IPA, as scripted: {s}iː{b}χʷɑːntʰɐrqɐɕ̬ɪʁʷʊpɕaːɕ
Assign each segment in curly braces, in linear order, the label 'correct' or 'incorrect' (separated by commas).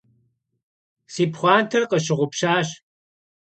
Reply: correct, incorrect